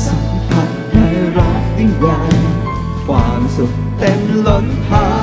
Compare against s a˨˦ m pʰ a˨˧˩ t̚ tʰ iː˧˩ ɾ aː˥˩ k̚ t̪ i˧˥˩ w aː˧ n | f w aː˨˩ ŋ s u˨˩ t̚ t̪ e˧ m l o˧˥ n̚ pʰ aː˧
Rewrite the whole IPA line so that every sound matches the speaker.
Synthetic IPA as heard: s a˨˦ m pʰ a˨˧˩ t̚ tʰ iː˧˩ ɾ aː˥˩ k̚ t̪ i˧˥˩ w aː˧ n | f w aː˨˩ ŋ s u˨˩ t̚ t̪ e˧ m l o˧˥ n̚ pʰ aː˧